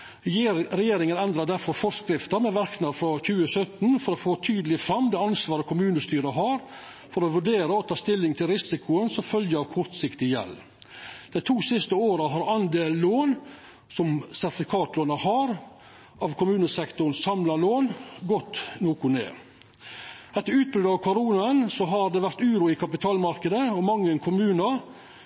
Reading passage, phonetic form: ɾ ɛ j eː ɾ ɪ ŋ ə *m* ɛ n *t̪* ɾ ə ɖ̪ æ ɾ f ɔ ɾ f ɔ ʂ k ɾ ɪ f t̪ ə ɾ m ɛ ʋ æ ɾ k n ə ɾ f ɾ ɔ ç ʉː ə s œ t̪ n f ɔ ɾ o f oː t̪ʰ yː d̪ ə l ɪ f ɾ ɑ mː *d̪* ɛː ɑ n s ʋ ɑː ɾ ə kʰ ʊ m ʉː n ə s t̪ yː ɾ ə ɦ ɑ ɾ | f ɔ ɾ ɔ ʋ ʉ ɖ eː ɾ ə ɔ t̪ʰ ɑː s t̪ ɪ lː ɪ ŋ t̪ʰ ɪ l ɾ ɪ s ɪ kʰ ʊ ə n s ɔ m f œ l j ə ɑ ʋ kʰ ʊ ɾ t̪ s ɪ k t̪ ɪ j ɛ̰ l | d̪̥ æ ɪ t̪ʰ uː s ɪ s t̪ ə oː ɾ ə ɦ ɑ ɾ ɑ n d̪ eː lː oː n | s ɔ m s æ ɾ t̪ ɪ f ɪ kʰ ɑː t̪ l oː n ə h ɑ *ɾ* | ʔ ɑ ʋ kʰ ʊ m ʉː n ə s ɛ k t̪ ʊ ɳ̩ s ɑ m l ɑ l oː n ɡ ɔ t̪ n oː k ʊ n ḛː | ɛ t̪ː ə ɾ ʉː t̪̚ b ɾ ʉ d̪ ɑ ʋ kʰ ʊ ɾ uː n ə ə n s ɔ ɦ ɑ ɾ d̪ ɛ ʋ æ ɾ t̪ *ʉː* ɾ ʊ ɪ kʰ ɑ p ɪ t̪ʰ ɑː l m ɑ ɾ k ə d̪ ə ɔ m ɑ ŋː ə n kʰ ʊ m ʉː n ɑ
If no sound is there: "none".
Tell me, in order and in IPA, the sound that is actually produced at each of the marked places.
n, d̪, d̪, ɾ, ʉː

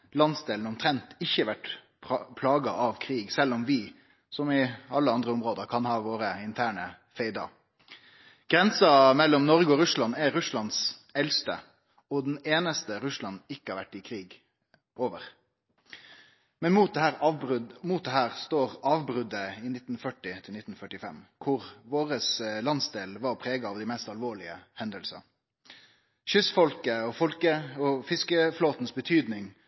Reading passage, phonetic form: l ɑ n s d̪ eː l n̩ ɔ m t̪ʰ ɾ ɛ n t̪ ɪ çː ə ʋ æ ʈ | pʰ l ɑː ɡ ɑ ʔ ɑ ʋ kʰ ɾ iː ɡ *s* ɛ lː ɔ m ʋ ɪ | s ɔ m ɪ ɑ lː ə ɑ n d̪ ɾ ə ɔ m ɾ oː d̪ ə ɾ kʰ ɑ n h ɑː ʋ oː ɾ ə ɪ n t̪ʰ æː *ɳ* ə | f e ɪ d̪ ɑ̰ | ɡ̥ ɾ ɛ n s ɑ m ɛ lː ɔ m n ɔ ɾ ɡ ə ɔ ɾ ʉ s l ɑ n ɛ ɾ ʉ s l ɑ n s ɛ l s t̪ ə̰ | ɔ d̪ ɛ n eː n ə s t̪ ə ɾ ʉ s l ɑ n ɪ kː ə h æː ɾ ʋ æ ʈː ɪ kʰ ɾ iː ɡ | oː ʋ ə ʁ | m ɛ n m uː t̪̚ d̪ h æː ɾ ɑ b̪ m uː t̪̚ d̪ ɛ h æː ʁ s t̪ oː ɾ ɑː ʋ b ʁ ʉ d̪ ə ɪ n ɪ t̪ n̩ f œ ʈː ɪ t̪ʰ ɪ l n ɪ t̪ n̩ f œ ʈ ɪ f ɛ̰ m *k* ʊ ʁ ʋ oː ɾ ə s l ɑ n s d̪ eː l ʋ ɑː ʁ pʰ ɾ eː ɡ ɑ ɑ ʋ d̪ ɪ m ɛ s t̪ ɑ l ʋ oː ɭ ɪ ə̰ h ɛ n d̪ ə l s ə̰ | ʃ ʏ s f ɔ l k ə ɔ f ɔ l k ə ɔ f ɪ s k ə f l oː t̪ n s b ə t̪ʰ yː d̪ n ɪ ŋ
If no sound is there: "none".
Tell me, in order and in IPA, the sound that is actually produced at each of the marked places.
s, ɳ, kʰ

